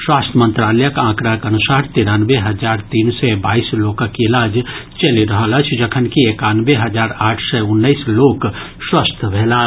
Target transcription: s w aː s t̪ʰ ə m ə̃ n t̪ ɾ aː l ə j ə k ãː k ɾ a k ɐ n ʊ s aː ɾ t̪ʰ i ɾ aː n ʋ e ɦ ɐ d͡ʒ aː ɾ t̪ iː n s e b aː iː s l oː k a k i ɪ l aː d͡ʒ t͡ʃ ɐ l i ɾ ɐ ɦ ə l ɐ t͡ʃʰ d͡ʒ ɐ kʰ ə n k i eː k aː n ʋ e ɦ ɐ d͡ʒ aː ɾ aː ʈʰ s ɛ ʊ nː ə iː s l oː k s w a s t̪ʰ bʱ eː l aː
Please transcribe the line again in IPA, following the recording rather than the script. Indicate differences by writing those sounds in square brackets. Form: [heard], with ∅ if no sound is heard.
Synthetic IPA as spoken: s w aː s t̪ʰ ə m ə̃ n t̪ ɾ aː l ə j ə k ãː k ɾ a k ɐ n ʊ s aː ɾ [t̪] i ɾ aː n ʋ e ɦ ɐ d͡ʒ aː ɾ t̪ iː n s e b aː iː s l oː k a k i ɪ l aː d͡ʒ t͡ʃ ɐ l i ɾ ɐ ɦ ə l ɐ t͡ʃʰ d͡ʒ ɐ kʰ ə n k i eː k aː n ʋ e ɦ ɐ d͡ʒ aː ɾ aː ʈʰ s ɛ ʊ nː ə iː s l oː k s w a s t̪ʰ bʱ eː l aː